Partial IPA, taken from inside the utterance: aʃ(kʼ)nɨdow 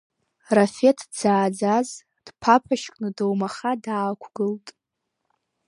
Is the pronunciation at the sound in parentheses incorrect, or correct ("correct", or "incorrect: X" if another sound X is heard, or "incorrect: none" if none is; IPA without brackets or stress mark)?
correct